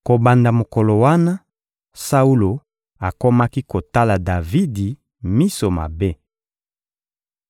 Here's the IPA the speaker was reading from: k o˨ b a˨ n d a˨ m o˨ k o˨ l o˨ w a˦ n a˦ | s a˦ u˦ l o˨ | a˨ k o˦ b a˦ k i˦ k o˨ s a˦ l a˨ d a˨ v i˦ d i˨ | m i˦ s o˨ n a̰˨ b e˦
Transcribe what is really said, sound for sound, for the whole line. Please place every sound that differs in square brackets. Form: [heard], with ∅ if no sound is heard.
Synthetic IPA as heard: k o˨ b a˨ n d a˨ m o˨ k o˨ l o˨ w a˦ n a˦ | s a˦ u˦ l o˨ | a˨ k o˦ [m] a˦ k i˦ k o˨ [t] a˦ l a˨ d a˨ v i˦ d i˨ | m i˦ s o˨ [m] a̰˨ b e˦